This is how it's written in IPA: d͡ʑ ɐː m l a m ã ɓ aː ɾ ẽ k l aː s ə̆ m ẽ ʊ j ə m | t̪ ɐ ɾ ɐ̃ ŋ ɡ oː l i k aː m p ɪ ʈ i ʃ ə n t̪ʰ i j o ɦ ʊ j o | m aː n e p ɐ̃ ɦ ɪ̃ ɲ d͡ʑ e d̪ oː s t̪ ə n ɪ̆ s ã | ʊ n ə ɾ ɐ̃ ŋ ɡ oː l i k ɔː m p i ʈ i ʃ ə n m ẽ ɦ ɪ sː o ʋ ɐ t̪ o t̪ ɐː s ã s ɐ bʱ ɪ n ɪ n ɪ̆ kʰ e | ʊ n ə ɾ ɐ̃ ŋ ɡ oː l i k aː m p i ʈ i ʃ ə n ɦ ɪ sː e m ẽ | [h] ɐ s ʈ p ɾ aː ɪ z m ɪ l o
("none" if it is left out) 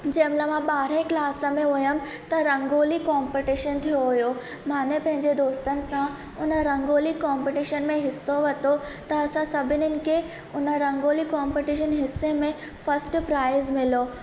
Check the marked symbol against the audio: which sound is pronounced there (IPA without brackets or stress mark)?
f